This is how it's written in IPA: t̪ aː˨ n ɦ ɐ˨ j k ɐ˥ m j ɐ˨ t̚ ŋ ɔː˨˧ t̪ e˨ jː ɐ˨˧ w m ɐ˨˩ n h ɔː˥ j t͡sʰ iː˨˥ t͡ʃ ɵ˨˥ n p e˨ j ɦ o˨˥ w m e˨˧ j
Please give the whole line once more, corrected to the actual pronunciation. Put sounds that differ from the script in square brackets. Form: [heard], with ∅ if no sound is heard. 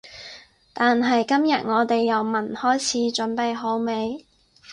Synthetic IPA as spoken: t̪ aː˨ n ɦ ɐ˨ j k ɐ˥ m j ɐ˨ t̚ ŋ ɔː˨˧ t̪ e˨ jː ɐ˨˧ w m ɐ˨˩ n h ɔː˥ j t͡sʰ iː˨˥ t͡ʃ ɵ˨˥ n p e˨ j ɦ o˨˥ w m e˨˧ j